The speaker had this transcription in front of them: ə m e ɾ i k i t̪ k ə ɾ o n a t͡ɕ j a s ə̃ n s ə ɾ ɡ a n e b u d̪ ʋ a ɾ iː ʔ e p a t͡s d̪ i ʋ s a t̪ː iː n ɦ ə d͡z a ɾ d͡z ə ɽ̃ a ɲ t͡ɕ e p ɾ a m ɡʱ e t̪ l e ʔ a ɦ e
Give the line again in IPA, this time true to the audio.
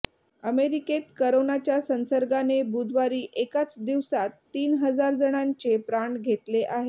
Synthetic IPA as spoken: ə m e ɾ i k e t̪ k ə ɾ o n a t͡ɕ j a s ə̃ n s ə ɾ ɡ a n e b u d̪ ʋ a ɾ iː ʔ e k a t͡s d̪ i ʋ s a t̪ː iː n ɦ ə d͡z a ɾ d͡z ə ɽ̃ a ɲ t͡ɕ e p ɾ a ɳ ɡʱ e t̪ l e ʔ a ɦ e